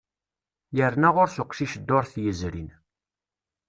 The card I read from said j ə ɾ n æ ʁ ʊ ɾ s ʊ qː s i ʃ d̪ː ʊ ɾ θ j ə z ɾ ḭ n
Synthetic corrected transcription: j ə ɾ n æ ʁ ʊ ɾ s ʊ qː ʃ i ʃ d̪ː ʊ ɾ θ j ə z ɾ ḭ n